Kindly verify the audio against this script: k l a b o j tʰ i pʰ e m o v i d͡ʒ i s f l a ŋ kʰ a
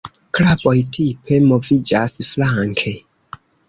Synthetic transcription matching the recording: k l a b o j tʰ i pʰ e m o v i d͡ʒ a s f l a ŋ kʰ e